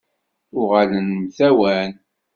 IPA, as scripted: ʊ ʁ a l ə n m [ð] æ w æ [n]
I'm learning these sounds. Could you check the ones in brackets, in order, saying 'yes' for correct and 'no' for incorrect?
no, yes

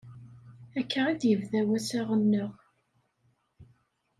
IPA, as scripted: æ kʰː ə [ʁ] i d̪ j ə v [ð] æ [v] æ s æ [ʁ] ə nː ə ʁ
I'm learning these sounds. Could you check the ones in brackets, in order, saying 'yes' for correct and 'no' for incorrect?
yes, yes, no, yes

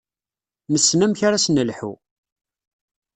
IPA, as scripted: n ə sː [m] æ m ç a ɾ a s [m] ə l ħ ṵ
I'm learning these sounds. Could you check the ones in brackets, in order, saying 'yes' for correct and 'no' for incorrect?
no, no

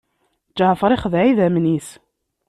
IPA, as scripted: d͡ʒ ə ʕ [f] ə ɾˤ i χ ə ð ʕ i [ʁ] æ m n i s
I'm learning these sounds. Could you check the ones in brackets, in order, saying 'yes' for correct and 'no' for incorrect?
yes, no

